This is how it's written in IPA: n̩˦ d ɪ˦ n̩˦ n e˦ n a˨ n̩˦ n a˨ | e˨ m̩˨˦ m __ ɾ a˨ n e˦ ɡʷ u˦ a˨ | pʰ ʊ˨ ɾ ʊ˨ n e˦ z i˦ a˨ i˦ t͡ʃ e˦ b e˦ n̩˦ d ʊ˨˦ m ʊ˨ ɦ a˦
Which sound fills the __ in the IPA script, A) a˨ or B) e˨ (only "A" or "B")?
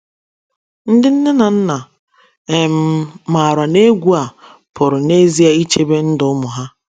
A